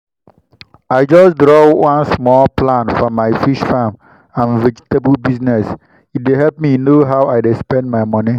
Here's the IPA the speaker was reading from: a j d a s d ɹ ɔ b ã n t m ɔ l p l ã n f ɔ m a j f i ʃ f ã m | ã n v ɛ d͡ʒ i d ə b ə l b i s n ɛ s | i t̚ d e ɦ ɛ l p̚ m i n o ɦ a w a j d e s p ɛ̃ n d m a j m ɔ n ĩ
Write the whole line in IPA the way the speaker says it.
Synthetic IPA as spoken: a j d͡ʒ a s d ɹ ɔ w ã n s m ɔ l p l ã n f ɔ m a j f i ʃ f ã m | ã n v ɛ d͡ʒ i t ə b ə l b i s n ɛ s | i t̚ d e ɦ ɛ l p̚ m i n o ɦ a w a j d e s p ɛ̃ n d m a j m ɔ n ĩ